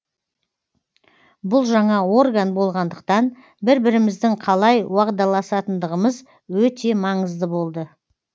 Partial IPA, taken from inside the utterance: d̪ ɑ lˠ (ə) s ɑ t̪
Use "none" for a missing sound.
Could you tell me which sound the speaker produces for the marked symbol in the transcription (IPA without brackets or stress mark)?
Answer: ɑ